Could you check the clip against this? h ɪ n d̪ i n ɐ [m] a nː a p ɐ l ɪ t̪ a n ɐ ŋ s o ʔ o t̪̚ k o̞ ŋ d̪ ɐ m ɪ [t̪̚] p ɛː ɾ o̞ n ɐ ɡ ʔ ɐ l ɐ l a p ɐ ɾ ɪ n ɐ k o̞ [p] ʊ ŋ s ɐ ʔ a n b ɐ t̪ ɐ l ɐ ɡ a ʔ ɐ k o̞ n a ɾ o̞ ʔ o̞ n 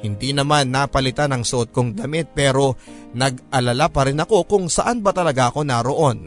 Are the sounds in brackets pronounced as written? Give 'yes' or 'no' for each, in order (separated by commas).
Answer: yes, yes, no